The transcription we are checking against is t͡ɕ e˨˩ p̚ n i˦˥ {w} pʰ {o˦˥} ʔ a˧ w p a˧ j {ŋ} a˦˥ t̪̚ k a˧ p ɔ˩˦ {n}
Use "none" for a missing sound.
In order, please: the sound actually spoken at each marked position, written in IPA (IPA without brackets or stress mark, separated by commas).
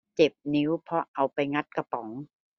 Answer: w, ɔ˦˥, ŋ, ŋ